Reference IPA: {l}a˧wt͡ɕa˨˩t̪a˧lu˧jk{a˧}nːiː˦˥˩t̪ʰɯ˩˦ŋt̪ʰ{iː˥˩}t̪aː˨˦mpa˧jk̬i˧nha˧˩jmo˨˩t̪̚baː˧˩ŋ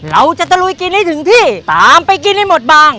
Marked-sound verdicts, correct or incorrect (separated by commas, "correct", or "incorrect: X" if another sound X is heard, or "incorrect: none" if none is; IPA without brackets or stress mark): incorrect: ɾ, incorrect: i˧, correct